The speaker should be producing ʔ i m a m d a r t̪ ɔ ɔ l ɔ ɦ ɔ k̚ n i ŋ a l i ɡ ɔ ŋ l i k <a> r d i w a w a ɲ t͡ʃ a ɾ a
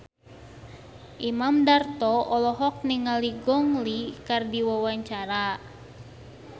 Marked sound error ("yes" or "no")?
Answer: no